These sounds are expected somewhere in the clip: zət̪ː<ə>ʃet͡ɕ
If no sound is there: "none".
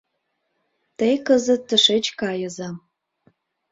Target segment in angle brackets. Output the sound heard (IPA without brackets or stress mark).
ə